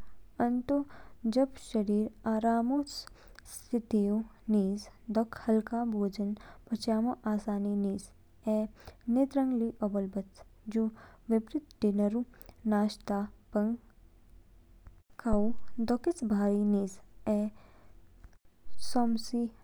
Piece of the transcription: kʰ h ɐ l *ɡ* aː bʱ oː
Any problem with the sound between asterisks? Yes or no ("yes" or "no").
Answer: yes